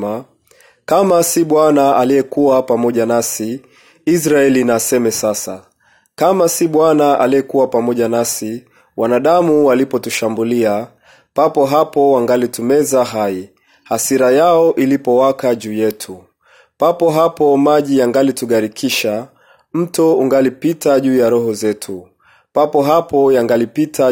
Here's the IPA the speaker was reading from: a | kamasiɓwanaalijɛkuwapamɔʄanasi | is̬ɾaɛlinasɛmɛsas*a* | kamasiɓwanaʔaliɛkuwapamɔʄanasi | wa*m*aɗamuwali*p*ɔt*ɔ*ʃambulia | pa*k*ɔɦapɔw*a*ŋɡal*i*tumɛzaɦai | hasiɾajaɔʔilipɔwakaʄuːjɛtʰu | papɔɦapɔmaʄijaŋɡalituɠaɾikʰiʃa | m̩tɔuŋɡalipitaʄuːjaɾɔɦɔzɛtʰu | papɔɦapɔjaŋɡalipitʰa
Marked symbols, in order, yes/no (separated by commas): yes, no, yes, no, no, yes, yes